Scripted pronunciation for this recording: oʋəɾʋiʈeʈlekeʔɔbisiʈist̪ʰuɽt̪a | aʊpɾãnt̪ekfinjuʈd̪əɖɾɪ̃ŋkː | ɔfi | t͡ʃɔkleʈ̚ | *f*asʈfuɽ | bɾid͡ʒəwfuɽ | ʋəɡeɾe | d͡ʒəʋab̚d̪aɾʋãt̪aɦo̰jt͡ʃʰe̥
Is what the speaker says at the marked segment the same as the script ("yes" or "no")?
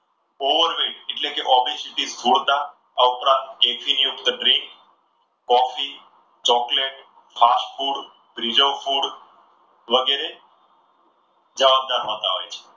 yes